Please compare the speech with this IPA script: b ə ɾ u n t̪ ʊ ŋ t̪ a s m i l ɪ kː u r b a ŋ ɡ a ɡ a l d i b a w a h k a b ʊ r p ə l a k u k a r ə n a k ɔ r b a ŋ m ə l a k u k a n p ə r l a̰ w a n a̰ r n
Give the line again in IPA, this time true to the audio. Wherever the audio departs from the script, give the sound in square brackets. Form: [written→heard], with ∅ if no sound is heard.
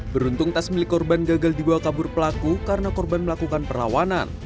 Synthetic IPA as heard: b ə ɾ u n t̪ ʊ ŋ t̪ a s m i l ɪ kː [u→ɔ] r b a [ŋ→n] ɡ a ɡ a l d i b a w a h k a b ʊ r p ə l a k u k a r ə n a k ɔ r b a [ŋ→n] m ə l a k u k a n p ə r l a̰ w a n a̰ [r→∅] n